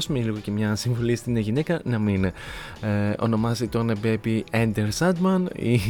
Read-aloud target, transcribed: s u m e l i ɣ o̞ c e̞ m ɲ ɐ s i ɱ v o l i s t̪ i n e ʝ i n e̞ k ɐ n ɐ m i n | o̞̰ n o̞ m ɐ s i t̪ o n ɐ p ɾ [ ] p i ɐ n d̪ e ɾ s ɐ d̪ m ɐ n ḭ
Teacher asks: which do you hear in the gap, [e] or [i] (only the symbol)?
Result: e